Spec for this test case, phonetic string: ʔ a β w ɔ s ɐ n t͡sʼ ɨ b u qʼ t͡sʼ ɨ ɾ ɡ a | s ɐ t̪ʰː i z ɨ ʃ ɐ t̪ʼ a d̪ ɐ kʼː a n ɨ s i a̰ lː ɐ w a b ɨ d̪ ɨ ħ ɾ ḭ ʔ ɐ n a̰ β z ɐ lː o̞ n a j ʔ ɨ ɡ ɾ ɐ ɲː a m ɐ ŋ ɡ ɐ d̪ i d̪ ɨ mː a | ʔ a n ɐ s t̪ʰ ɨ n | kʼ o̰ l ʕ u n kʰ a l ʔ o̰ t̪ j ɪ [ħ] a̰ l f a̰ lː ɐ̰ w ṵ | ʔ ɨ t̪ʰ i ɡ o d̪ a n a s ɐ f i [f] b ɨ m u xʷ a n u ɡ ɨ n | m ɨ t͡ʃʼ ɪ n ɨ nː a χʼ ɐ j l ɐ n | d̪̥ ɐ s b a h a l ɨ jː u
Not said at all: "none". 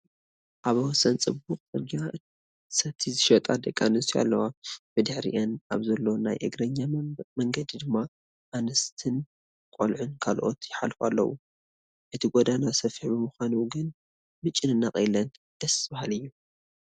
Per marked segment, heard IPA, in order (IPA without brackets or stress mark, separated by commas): ħ, ħ